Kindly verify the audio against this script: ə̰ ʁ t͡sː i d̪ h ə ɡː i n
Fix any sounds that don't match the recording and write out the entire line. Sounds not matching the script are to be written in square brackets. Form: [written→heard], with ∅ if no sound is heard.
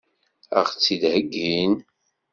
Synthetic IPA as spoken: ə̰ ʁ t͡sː i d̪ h ə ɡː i n